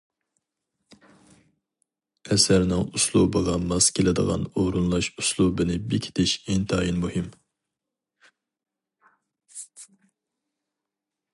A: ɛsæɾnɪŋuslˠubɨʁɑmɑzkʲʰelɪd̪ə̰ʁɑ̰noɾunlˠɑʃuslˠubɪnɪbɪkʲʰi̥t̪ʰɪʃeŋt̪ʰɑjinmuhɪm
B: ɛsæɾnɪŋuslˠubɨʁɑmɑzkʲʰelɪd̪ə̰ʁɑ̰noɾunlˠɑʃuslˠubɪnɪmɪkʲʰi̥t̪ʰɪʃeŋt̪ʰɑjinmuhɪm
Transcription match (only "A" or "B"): A